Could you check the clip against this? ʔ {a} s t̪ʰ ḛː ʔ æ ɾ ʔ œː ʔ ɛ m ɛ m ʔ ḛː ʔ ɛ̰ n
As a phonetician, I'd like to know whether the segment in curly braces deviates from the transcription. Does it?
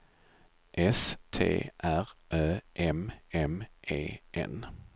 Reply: yes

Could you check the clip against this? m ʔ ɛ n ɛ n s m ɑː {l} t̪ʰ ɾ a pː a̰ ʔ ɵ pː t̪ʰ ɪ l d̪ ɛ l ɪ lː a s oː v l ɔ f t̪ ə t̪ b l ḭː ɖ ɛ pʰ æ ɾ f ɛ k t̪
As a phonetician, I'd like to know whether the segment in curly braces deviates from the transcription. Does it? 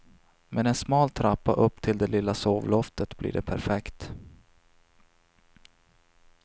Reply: no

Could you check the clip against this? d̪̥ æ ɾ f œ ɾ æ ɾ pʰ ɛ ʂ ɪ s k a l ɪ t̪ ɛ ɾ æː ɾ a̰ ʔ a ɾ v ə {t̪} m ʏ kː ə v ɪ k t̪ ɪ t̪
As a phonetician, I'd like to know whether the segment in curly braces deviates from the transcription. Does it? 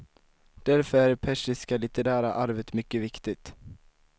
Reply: no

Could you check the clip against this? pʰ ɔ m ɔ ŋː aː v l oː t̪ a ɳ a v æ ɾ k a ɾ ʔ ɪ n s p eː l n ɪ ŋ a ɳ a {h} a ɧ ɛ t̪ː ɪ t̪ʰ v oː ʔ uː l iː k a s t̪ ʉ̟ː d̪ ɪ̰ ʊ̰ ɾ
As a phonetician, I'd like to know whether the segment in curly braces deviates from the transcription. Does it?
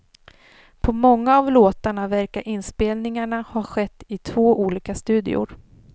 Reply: no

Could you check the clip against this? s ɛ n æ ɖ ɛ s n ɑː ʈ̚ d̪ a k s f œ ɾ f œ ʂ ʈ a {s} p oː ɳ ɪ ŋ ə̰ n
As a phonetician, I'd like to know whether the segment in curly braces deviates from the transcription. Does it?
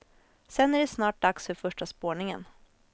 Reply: no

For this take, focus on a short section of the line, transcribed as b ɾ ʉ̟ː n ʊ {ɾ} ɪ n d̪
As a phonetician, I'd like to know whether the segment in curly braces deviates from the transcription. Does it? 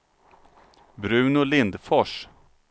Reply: yes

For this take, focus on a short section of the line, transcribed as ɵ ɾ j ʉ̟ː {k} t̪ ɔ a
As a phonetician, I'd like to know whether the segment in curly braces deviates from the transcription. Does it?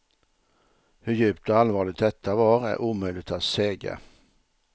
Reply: yes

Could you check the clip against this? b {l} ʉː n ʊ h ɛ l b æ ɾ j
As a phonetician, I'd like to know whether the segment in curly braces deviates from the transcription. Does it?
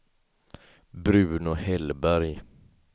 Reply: yes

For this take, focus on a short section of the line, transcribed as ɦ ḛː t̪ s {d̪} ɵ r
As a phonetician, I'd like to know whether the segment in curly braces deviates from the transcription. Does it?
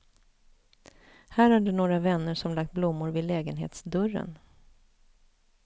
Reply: no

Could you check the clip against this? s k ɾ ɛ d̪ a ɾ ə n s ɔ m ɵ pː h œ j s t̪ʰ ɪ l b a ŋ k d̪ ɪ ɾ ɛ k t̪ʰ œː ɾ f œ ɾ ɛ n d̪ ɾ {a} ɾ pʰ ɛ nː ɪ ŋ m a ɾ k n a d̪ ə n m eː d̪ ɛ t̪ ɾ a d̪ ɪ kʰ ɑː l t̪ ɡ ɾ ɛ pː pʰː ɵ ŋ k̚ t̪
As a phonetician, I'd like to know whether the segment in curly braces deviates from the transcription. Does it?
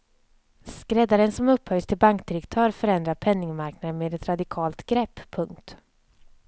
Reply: no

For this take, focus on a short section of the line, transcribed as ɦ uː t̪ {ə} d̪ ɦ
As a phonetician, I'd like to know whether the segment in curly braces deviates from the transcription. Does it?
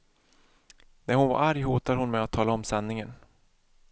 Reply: yes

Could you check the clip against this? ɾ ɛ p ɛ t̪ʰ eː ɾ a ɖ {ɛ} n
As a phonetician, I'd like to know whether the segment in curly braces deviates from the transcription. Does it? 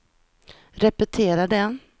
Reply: no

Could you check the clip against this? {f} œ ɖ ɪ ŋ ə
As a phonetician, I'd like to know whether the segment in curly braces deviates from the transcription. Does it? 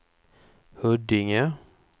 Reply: yes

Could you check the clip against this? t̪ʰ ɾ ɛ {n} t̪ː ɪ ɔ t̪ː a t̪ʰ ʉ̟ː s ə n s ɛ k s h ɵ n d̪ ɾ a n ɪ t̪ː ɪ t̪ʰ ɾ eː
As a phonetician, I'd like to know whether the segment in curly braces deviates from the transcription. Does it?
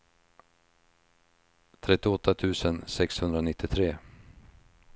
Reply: yes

